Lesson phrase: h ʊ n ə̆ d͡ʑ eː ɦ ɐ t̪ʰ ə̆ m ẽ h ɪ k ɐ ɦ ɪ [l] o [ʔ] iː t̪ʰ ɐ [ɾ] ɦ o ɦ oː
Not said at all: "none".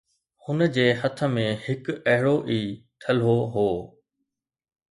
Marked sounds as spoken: ɽ, ʔ, l

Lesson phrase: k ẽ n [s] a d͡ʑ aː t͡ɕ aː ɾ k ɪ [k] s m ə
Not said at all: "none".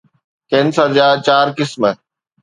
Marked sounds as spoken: s, none

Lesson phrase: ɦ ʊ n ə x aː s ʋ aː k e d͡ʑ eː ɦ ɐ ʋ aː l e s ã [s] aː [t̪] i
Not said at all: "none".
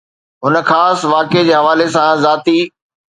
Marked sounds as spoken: z, t̪

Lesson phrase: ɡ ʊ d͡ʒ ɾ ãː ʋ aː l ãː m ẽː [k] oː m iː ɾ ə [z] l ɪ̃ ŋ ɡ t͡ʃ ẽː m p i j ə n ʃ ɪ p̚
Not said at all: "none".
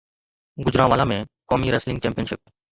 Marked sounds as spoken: k, s

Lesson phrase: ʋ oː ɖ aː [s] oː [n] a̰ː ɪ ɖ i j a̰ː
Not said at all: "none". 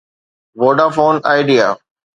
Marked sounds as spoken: f, n

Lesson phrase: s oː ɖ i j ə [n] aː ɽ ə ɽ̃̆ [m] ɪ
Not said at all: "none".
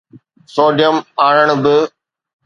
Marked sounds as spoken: m, b

